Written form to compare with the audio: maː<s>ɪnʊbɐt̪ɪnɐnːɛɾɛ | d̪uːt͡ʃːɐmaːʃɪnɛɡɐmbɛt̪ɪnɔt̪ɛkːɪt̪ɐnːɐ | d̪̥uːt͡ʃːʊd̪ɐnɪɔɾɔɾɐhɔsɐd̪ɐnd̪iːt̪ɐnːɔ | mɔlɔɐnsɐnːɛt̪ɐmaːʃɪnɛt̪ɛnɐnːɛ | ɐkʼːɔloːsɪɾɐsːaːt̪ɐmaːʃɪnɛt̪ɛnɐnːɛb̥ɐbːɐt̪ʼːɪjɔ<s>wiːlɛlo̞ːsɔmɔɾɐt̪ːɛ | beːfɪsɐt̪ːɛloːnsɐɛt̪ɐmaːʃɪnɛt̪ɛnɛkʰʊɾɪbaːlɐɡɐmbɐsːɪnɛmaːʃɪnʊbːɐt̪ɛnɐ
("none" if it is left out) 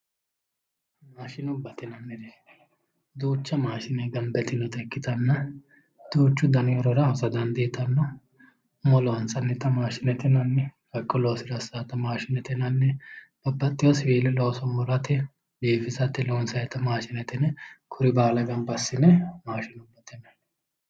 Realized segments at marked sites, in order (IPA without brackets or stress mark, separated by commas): ʃ, s